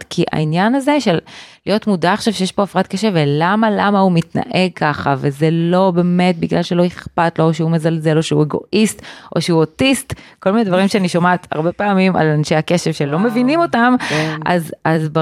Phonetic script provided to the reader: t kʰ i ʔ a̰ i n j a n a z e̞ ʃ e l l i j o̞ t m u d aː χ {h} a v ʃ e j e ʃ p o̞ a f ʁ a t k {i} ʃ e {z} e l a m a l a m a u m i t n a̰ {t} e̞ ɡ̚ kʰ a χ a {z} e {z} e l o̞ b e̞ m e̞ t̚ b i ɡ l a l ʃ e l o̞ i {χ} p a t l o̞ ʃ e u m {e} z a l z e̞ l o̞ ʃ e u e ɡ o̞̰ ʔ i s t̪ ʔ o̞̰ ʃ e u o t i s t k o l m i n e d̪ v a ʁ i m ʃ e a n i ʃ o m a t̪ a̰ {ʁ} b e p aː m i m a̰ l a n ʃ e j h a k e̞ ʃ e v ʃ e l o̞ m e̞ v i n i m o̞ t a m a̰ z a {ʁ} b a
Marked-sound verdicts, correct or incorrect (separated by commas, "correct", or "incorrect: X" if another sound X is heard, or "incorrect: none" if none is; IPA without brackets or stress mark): incorrect: ʃ, incorrect: e, incorrect: v, incorrect: ʔ, incorrect: v, correct, correct, correct, correct, incorrect: z